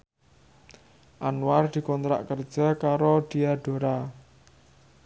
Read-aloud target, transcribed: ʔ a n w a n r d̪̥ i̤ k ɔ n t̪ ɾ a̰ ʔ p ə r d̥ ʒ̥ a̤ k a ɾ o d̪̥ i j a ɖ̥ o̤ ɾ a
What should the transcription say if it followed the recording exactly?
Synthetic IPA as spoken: ʔ a n w a r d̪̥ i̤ k ɔ n t̪ ɾ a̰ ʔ k ə r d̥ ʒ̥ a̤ k a ɾ o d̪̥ i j a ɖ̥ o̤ ɾ a